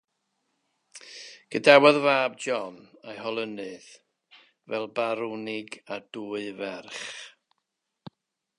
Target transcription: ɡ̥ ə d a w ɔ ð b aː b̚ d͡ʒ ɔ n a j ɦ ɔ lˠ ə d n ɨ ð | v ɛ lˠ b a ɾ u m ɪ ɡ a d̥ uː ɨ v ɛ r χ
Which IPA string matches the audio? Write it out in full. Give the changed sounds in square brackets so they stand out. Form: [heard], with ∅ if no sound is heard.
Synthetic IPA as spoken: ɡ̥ ə d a w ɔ ð [v] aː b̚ d͡ʒ ɔ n a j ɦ ɔ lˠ ə [∅] n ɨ ð | v ɛ lˠ b a ɾ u [n] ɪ ɡ a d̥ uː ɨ v ɛ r χ